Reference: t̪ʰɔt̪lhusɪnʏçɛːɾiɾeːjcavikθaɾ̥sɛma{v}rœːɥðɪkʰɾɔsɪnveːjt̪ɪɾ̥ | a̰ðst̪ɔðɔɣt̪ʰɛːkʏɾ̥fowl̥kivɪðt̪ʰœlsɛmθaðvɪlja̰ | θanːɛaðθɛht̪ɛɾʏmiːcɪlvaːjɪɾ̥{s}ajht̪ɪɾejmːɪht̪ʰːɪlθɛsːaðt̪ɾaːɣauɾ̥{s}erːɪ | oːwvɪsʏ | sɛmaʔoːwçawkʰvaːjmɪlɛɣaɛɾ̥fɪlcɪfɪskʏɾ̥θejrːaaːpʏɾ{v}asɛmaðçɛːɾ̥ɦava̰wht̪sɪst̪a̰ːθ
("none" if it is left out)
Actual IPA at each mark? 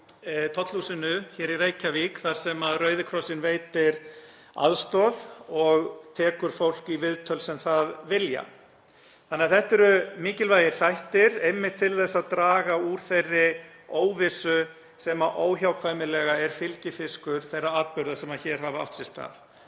ð, θ, θ, ð

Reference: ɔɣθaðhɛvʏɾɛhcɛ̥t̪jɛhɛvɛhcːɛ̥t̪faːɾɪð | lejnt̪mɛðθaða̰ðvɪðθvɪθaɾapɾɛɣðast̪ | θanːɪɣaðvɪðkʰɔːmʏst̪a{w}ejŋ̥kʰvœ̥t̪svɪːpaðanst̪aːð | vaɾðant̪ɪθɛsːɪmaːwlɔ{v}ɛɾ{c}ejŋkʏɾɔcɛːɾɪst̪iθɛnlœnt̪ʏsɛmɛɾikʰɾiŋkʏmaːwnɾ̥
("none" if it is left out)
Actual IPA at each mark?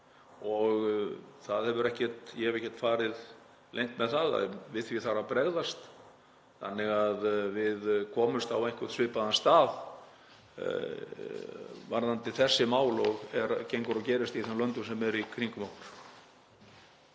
w, ɣ, c

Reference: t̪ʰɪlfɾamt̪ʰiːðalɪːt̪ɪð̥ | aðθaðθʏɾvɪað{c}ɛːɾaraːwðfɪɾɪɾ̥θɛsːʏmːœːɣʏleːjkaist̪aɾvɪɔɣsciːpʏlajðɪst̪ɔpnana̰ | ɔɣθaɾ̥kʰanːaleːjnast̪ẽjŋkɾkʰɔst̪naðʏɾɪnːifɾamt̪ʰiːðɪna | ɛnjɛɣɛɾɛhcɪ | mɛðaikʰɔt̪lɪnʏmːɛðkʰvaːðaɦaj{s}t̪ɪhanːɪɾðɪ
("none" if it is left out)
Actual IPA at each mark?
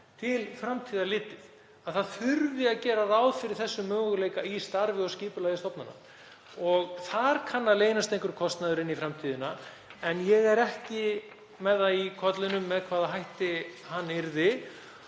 c, h

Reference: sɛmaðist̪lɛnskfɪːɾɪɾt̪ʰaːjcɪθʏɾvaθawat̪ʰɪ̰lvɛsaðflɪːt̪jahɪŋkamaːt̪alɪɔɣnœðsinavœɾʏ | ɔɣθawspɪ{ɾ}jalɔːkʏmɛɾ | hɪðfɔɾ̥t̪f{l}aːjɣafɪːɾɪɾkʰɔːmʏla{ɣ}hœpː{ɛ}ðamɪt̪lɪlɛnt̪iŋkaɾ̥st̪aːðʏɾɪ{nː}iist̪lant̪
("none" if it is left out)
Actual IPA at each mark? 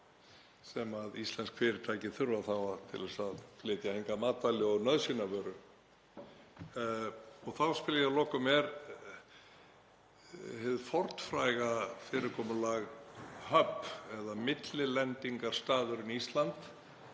l, ɾ, ɣ, ɛ, n

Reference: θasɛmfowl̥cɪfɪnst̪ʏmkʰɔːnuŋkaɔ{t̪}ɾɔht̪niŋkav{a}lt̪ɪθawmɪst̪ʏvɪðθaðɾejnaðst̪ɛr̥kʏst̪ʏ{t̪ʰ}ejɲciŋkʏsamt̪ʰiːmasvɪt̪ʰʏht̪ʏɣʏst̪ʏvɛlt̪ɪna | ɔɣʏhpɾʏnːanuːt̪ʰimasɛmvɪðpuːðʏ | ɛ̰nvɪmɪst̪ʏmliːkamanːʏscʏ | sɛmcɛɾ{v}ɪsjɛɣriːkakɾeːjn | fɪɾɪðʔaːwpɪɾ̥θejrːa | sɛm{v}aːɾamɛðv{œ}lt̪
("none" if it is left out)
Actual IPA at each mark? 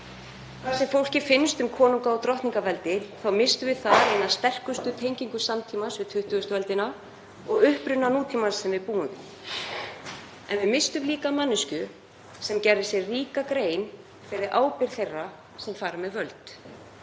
t̪, ɛ, t̪ʰ, ð, f, œ

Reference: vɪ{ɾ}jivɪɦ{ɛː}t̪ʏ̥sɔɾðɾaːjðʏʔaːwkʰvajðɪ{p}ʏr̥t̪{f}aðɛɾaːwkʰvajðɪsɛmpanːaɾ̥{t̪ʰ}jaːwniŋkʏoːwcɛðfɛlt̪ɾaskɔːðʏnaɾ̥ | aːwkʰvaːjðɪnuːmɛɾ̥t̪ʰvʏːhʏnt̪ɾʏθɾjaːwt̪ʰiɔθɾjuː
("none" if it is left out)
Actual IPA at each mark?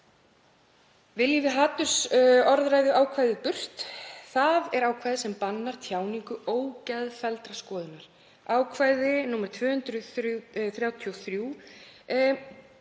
l, aː, p, θ, t̪ʰ

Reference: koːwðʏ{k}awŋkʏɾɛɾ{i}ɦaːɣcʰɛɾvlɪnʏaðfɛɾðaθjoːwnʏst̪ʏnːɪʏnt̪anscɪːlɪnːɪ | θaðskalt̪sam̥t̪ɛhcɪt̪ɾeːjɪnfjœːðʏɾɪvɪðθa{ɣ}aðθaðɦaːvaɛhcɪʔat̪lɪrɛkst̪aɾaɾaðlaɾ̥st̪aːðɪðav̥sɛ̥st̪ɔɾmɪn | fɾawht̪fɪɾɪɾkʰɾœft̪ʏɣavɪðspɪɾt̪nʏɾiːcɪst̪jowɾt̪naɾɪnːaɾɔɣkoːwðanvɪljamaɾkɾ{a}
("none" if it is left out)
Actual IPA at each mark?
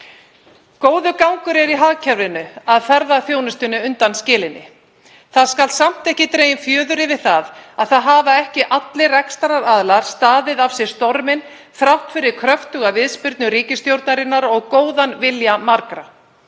k, i, ð, a

